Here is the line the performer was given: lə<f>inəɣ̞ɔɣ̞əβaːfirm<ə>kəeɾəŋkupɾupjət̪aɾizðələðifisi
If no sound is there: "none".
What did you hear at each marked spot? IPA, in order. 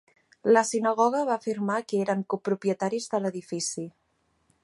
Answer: s, a

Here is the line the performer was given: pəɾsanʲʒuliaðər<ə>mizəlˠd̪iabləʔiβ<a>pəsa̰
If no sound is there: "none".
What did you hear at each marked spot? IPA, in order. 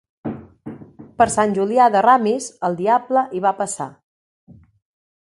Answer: a, a

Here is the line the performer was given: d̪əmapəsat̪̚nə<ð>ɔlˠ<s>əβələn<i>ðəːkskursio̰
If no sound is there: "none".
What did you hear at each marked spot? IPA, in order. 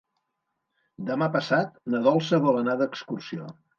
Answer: ð, s, a

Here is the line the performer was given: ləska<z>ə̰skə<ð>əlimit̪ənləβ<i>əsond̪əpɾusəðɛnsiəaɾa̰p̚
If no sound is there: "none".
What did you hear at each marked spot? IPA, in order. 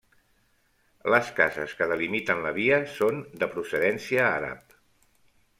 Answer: z, ð, i

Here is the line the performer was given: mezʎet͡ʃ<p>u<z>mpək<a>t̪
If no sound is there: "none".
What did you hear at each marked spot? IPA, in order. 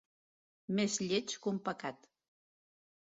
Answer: k, none, a

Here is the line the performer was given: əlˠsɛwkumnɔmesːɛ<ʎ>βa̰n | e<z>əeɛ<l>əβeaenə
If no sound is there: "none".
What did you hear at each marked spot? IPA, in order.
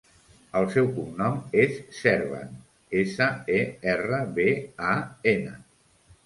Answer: ɾ, s, r

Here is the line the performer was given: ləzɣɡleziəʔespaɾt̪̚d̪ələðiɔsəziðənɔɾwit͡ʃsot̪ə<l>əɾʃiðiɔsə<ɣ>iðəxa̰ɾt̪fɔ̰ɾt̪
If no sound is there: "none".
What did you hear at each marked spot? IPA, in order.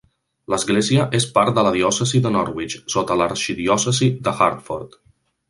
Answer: l, z

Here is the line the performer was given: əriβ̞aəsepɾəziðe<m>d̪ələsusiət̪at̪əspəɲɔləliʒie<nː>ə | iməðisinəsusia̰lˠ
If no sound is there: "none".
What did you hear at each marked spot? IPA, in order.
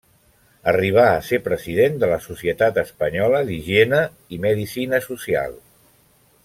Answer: n, n

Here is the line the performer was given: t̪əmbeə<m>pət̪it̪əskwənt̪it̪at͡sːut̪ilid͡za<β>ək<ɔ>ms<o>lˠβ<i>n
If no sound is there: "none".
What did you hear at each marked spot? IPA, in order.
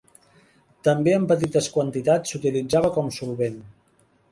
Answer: m, β, ɔ, u, e

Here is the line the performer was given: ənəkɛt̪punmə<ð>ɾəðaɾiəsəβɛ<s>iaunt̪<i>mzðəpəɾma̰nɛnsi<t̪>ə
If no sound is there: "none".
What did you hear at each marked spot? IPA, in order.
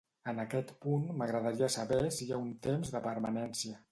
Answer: ɣ, s, e, none

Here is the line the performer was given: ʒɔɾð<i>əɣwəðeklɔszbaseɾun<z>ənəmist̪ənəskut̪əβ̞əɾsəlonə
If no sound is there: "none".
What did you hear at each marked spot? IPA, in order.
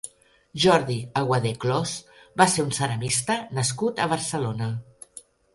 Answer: i, s

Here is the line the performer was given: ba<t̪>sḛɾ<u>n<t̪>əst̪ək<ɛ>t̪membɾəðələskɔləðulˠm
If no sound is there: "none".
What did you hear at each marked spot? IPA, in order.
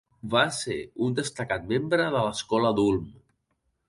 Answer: none, u, d̪, a

